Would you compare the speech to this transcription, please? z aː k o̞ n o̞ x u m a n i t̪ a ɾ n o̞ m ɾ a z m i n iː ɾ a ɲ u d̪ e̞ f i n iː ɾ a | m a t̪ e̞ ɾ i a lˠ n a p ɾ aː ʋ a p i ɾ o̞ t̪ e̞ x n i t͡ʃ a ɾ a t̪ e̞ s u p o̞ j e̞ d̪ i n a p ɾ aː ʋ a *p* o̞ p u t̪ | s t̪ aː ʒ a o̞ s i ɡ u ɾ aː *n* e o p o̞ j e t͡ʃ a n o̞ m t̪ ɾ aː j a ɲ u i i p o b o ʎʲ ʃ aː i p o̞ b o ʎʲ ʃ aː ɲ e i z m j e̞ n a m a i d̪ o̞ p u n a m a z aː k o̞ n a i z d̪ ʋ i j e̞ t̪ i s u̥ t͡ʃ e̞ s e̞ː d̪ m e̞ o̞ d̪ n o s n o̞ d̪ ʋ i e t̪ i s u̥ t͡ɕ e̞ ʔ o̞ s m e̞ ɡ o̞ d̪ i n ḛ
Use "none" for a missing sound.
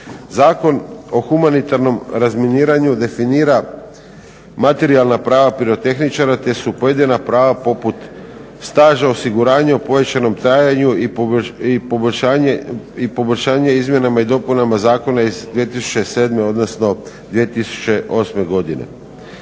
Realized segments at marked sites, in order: p, ɲ

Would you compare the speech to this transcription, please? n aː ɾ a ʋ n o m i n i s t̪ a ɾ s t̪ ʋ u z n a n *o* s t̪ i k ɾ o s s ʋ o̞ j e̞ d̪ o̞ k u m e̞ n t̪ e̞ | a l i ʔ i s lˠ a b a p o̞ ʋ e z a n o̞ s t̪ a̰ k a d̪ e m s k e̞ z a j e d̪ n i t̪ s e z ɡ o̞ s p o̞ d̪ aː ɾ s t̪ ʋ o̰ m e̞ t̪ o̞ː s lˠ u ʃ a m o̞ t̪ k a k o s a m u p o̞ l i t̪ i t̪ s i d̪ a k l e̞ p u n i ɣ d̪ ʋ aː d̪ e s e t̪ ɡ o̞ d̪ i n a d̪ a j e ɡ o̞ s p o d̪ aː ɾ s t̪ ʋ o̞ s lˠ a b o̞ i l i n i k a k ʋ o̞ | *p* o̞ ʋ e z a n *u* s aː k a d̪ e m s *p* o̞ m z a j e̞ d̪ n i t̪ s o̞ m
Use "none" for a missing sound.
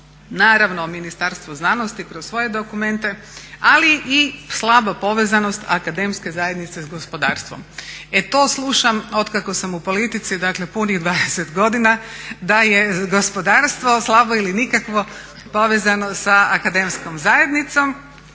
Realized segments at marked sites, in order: o, p, o, k

